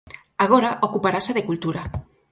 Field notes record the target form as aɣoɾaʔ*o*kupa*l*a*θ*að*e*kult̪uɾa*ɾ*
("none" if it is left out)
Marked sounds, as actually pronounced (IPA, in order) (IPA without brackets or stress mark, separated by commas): o, ɾ, s, e, none